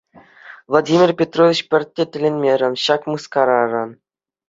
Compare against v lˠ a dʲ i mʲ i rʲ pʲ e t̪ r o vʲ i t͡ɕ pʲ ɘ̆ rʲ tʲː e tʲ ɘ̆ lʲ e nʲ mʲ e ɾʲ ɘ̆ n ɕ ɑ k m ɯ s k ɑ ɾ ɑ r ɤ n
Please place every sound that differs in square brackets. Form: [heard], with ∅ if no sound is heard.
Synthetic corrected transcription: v lˠ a dʲ i mʲ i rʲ pʲ e t̪ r o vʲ i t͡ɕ pʲ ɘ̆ rʲ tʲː e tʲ ɘ̆ lʲ e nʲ mʲ e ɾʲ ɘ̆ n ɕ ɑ k m ɯ s k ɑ ɾ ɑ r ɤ n

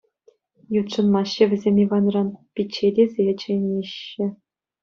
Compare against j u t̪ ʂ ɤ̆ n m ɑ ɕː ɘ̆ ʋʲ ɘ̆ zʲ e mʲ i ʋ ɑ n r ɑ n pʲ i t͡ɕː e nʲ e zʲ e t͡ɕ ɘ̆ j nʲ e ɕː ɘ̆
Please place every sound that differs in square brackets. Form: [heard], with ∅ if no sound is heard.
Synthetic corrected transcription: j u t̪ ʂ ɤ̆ n m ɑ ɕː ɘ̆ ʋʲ ɘ̆ zʲ e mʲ i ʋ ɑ n r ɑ n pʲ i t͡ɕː e [dʲ] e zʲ e t͡ɕ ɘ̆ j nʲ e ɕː ɘ̆

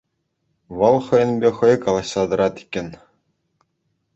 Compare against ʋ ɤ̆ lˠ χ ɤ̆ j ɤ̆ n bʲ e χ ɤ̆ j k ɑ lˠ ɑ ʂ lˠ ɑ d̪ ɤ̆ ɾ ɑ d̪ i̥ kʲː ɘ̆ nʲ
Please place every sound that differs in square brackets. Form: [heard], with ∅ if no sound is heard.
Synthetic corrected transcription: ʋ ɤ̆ lˠ χ ɤ̆ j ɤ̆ n bʲ e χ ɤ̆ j k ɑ lˠ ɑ [ɕ] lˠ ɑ d̪ ɤ̆ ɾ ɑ [t̪] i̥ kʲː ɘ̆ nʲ

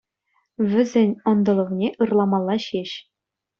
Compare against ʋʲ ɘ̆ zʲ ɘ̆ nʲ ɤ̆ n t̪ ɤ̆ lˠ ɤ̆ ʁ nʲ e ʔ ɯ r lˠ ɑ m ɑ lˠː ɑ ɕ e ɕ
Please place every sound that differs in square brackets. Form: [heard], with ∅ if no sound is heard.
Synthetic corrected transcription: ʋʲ ɘ̆ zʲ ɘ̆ nʲ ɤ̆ n [d̪] ɤ̆ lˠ ɤ̆ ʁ nʲ e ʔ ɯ r lˠ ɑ m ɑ lˠː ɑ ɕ e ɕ

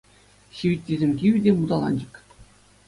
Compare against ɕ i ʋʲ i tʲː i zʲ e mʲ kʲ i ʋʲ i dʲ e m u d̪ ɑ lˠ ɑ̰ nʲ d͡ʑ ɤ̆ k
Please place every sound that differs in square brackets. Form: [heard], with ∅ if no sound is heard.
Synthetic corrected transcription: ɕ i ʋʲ i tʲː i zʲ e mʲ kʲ i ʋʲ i dʲ e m u d̪ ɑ lˠ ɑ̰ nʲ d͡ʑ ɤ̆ k

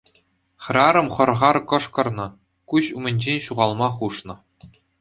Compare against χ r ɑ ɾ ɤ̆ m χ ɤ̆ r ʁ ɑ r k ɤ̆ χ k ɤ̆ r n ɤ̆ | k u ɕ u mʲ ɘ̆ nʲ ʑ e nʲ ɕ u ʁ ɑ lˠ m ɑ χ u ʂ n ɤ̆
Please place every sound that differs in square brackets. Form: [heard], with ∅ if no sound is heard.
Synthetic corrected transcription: χ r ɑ ɾ ɤ̆ m χ ɤ̆ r ʁ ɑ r k ɤ̆ [ʂ] k ɤ̆ r n ɤ̆ | k u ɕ u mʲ ɘ̆ nʲ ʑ e nʲ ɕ u ʁ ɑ lˠ m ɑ χ u ʂ n ɤ̆

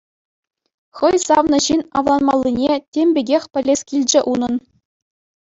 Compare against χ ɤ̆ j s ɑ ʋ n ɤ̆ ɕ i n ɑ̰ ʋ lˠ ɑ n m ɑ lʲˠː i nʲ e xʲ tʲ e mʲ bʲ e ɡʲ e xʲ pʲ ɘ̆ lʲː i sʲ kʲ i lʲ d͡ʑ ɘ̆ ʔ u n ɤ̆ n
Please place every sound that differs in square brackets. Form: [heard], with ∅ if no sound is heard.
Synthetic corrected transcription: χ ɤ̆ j s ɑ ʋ n ɤ̆ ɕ i n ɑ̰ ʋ lˠ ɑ n m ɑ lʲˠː i nʲ e [∅] tʲ e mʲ bʲ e ɡʲ e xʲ pʲ ɘ̆ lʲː [e] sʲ kʲ i lʲ d͡ʑ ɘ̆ ʔ u n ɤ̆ n

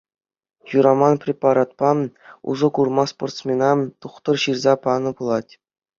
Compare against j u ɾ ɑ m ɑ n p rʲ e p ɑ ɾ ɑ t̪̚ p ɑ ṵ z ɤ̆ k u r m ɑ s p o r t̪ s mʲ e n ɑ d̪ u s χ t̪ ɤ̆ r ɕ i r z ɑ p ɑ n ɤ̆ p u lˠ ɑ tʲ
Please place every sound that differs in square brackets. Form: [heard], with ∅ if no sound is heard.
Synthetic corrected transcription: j u ɾ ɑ m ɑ n p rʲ e p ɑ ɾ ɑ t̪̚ p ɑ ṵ z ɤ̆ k u r m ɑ s p o r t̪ s mʲ e n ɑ [t̪] u [∅] χ t̪ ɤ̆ r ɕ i r z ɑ p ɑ n ɤ̆ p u lˠ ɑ tʲ

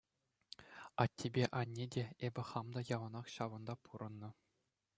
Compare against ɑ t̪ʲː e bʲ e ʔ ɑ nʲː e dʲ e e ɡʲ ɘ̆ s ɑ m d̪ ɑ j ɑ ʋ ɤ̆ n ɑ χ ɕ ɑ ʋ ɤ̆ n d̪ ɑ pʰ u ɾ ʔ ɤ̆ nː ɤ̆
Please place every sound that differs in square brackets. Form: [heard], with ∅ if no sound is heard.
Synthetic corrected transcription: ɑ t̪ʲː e bʲ e ʔ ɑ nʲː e dʲ e e [bʲ] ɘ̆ [χ] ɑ m d̪ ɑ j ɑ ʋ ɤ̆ n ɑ χ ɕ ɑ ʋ ɤ̆ n d̪ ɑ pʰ u ɾ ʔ ɤ̆ nː ɤ̆

